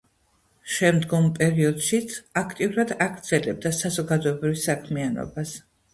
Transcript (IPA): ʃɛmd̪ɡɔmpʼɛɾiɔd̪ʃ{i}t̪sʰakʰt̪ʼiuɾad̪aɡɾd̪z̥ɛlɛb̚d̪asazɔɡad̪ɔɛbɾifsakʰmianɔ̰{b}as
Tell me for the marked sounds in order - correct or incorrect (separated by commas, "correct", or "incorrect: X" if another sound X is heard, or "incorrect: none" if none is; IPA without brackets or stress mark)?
correct, correct